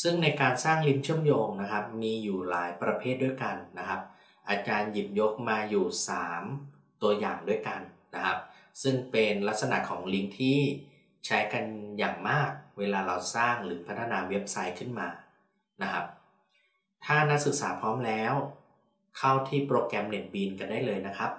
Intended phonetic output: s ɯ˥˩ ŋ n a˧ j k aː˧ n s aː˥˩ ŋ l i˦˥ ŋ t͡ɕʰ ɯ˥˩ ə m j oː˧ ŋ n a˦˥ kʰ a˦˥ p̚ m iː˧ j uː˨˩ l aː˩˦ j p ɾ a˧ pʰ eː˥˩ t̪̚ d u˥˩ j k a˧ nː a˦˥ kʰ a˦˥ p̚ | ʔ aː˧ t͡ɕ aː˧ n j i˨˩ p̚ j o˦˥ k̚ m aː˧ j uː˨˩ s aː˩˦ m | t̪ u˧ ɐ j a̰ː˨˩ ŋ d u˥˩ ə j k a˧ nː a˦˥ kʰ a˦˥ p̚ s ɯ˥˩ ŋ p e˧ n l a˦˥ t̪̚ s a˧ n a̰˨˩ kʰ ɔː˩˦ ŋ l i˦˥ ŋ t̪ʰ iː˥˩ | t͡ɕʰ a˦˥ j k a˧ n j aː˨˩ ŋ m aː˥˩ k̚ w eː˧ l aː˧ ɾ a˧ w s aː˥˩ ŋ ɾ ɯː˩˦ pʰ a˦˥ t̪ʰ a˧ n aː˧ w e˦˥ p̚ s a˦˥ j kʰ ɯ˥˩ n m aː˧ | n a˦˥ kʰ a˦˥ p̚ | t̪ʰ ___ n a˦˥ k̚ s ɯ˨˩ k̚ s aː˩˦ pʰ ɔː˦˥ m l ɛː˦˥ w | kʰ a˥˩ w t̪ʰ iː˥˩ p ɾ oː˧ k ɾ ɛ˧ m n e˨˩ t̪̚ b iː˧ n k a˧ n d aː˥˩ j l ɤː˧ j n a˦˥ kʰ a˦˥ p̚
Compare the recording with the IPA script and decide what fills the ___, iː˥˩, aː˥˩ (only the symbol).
aː˥˩